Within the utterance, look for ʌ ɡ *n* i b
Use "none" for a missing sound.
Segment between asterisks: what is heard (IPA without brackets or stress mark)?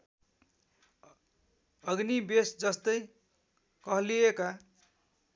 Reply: n